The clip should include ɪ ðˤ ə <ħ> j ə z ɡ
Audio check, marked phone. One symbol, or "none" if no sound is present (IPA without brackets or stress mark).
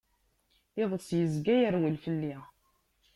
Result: s